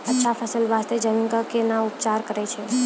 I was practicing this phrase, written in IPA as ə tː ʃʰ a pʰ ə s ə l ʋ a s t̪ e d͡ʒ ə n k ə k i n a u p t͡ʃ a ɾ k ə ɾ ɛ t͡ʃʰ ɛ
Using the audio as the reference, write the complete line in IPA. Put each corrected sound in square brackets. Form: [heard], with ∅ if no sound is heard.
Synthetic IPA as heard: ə tː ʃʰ a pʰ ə s ə l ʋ a s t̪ e d͡ʒ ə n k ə k [e] n a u p t͡ʃ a ɾ k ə ɾ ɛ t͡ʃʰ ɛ